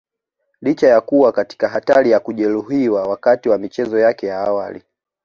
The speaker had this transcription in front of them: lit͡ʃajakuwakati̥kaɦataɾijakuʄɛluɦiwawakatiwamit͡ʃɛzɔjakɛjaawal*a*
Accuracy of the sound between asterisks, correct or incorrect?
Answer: incorrect